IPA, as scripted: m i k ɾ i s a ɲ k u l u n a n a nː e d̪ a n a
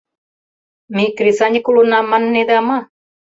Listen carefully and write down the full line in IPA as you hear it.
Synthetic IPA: m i k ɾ i s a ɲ k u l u n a m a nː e d̪ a m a